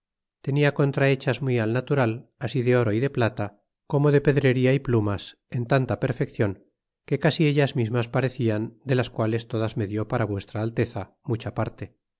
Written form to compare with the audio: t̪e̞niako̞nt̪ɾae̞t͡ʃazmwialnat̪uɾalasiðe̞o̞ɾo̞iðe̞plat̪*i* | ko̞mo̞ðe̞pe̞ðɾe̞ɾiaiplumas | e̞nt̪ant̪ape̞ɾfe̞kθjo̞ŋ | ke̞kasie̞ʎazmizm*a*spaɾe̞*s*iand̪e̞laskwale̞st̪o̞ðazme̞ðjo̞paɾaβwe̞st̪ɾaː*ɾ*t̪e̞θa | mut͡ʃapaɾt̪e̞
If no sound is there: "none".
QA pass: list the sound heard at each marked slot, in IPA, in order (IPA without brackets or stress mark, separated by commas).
a, a, θ, l